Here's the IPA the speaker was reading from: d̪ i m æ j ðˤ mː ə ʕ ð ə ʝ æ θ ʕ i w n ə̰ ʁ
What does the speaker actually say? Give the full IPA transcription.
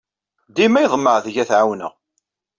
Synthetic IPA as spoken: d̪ i m æ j ðˤ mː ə ʕ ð ə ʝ æ θ ʕ a w n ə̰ ʁ